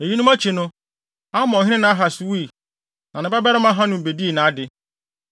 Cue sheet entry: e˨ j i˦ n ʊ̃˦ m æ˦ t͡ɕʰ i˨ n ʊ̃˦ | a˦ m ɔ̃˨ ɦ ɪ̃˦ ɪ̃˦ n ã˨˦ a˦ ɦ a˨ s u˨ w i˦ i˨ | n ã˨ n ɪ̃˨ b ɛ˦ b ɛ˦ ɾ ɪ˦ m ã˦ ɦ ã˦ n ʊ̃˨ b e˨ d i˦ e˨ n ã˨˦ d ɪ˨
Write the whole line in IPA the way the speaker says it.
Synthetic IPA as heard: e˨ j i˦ n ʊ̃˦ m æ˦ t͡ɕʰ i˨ n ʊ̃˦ | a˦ m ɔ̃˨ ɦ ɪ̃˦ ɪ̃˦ n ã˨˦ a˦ ɦ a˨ s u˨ w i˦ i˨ | n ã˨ n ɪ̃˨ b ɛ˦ b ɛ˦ ɾ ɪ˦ m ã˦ ɦ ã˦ n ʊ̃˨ b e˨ d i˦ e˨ n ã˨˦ d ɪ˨